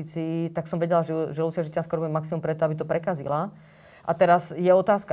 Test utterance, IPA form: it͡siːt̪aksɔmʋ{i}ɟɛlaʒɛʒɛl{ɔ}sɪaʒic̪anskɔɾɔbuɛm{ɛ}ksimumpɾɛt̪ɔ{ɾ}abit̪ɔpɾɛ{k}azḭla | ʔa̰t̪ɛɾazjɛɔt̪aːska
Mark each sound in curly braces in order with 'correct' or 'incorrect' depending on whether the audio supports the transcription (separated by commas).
incorrect, incorrect, incorrect, incorrect, correct